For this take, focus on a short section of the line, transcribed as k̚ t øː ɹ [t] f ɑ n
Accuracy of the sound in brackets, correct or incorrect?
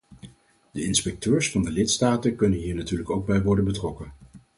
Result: incorrect